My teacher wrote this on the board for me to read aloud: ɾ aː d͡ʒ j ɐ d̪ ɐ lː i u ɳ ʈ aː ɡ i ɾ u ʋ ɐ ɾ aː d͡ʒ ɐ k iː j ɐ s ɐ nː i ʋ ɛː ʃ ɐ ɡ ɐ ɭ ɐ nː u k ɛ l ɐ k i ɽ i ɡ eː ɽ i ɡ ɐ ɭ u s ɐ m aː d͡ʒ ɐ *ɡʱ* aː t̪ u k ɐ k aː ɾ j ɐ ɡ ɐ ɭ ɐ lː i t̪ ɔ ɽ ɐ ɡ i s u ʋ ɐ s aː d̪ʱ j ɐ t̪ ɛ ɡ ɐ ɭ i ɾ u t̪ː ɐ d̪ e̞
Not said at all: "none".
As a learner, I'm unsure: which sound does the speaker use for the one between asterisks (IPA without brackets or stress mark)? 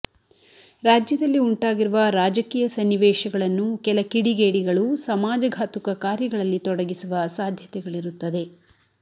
ɡʱ